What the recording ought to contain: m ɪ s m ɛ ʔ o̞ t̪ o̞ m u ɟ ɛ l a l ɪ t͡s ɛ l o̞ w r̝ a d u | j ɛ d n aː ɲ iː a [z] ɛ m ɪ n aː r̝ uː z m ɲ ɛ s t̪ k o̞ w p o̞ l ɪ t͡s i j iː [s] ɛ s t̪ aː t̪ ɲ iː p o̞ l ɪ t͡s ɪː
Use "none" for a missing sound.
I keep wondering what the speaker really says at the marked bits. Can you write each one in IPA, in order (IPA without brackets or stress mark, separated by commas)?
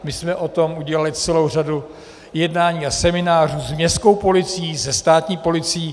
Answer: s, z